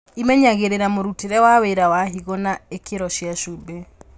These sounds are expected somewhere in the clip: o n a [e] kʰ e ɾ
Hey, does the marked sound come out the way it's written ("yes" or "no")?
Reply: yes